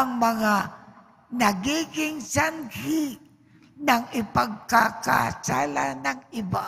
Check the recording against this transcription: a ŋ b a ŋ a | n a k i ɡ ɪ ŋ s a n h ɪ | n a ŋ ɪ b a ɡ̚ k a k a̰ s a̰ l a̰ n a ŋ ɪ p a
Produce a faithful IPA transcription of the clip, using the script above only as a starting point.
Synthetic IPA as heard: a ŋ m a ŋ a | n a ɡ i ɡ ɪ ŋ s a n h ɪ | n a ŋ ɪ p a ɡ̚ k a k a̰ s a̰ l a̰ n a ŋ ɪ b a

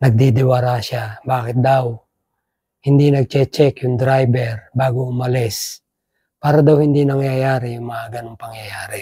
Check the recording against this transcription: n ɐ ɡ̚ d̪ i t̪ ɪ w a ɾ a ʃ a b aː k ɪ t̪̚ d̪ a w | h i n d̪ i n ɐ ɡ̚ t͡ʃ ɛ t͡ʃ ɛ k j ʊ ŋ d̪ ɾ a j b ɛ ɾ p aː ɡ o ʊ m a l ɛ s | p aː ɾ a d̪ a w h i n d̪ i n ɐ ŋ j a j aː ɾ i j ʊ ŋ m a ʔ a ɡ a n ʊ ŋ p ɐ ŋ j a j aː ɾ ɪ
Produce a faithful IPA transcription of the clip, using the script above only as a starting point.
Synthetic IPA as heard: n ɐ ɡ̚ d̪ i d̪ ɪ w a ɾ a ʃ a b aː k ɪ t̪̚ d̪ a w | h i n d̪ i n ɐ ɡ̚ t͡ʃ ɛ t͡ʃ ɛ k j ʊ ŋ d̪ ɾ a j b ɛ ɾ b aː ɡ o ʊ m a l ɛ s | p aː ɾ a d̪ a w h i n d̪ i n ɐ ŋ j a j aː ɾ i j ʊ ŋ m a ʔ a ɡ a n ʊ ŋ p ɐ ŋ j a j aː ɾ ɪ

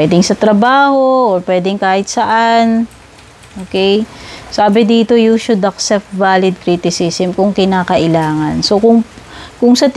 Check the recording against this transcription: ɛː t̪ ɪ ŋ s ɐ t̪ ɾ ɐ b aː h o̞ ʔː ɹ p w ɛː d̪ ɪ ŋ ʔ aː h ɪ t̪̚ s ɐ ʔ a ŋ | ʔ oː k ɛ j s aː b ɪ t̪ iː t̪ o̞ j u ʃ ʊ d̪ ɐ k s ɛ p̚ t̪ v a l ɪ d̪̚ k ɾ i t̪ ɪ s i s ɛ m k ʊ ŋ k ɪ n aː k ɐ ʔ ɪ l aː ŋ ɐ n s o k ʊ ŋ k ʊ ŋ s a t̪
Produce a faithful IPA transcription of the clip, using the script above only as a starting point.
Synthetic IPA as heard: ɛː d̪ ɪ ŋ s ɐ t̪ ɾ ɐ b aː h o̞ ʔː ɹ p w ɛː d̪ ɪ ŋ k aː h ɪ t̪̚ s ɐ ʔ a n | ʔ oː k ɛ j s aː b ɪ d̪ iː t̪ o̞ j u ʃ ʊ d̪ ɐ k s ɛ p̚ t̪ v a l ɪ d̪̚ k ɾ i t̪ ɪ s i s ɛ m k ʊ ŋ k ɪ n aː k ɐ ʔ ɪ l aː ŋ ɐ n s o k ʊ ŋ k ʊ ŋ s ɐ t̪

